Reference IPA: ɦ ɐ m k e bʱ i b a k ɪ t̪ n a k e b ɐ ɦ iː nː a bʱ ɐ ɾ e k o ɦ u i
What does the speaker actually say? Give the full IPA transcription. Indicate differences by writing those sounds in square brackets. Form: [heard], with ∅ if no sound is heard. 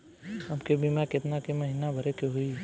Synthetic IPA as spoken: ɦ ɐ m k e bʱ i [m] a k ɪ t̪ n a k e [m] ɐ ɦ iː [n] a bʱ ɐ ɾ e k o ɦ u i